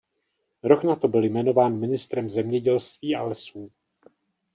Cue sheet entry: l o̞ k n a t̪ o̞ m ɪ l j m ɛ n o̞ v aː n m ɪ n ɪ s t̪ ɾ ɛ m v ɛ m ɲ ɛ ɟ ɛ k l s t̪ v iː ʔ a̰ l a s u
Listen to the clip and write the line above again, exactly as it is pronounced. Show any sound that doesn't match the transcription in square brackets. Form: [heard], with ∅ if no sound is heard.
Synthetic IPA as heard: [ɾ] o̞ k n a t̪ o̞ [b] ɪ l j m ɛ n o̞ v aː n m ɪ n ɪ s t̪ ɾ ɛ m [z] ɛ m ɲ ɛ ɟ ɛ [∅] l s t̪ v iː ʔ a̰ l [ɛ] s [uː]